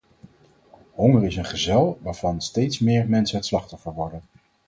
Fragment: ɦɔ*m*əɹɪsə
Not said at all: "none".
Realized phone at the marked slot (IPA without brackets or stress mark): ŋ